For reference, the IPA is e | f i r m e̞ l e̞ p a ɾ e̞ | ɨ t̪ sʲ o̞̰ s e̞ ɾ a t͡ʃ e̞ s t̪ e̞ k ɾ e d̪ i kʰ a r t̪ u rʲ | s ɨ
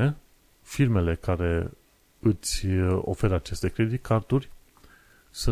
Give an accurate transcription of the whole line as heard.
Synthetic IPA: e | f i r m e̞ l e̞ k a ɾ e̞ | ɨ t̪ sʲ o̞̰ f e̞ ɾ a t͡ʃ e̞ s t̪ e̞ k ɾ e d̪ i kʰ a r t̪ u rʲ | s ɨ